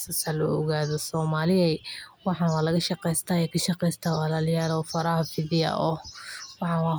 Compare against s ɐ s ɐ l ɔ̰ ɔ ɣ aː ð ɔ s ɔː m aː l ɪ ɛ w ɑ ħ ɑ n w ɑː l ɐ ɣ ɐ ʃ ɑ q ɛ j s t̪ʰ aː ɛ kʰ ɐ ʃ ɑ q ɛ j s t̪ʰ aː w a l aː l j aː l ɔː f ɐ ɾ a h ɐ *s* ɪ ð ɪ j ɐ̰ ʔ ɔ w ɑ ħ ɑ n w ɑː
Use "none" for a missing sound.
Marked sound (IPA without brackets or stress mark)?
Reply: f